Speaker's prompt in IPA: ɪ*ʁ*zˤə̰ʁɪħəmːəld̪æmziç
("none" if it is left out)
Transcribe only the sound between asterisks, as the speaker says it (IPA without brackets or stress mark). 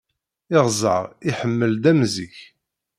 ʁ